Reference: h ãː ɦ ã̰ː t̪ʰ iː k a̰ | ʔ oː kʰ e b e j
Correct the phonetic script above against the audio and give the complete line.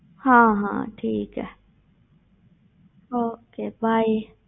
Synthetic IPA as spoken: h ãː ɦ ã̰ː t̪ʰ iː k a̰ | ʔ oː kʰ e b a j

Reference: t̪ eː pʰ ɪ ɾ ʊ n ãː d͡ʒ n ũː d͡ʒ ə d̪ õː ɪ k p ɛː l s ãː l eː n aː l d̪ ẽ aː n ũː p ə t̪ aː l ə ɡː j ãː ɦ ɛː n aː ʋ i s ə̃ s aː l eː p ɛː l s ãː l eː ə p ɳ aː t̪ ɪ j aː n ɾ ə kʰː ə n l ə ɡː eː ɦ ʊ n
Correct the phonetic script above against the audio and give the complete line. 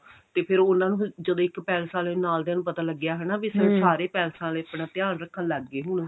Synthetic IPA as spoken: t̪ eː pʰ ɪ ɾ ʊ n ãː n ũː d͡ʒ ə d̪ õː ɪ k p ɛː l s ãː l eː n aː l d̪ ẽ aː n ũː p ə t̪ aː l ə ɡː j aː ɦ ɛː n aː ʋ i s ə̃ s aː ɾ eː p ɛː l s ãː l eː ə p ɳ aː t̪ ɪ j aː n ɾ ə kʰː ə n l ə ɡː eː ɦ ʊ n

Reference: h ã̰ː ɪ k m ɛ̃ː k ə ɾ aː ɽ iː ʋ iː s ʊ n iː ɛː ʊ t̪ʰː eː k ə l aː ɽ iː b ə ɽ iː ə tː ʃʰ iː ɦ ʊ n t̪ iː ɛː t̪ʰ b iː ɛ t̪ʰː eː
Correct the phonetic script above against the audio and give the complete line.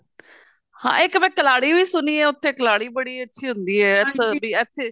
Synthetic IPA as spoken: h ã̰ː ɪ k m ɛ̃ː k ə l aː ɽ iː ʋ iː s ʊ n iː ɛː ʊ t̪ʰː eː k ə l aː ɽ iː b ə ɽ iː ə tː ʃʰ iː ɦ ʊ n d̪ iː ɛː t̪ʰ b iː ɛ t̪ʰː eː

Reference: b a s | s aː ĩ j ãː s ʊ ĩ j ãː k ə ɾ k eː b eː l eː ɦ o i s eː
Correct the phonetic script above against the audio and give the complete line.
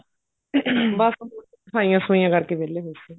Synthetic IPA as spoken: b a s | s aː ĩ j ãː s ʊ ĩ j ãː k ə ɾ k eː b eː l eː ɦ o i s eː

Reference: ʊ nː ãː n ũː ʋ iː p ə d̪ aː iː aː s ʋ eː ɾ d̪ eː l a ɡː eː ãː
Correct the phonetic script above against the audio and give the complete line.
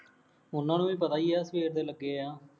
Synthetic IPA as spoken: ʊ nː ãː n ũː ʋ iː p ə t̪ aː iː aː s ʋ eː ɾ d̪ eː l ə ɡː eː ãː

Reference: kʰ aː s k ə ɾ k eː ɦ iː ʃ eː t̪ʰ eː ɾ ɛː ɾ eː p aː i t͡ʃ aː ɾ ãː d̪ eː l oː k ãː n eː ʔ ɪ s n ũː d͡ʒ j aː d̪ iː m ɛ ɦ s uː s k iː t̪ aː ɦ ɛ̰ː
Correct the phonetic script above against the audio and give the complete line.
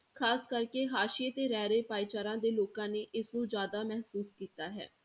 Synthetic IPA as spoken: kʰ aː s k ə ɾ k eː ɦ aː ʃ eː t̪ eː ɾ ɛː ɾ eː p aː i t͡ʃ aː ɾ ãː d̪ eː l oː k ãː n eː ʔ ɪ s n ũː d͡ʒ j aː d̪ aː m ɛ ɦ s uː s k iː t̪ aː ɦ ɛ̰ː

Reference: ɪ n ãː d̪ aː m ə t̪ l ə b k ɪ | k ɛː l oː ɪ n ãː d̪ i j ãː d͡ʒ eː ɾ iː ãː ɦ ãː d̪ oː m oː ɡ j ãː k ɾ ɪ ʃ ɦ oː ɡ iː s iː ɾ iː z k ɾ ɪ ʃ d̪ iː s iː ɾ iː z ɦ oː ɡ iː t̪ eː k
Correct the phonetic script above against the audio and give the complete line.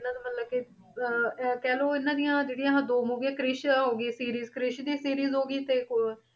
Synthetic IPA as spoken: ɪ n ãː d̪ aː m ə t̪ l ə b k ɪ | k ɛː l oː ɪ n ãː d̪ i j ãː d͡ʒ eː ɽ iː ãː ɦ ãː d̪ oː m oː ɡ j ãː k ɾ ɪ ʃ ɦ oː ɡ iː s iː ɾ iː z k ɾ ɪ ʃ d̪ iː s iː ɾ iː z ɦ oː ɡ iː t̪ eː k

